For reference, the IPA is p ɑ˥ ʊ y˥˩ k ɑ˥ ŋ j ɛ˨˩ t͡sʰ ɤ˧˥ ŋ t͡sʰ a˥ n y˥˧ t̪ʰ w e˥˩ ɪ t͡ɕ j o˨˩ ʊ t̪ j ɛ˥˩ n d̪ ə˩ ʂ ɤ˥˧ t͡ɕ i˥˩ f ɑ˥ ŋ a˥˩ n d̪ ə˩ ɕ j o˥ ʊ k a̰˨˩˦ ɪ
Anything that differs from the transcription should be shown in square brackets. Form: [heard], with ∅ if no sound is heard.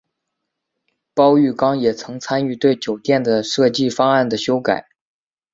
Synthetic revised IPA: p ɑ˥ ʊ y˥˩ k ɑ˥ ŋ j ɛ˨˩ t͡sʰ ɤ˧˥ ŋ t͡sʰ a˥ n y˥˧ [t̪] w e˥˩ ɪ t͡ɕ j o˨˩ ʊ t̪ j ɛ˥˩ n d̪ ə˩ ʂ ɤ˥˧ t͡ɕ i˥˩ f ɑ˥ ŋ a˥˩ n d̪ ə˩ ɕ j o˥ ʊ k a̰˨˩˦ ɪ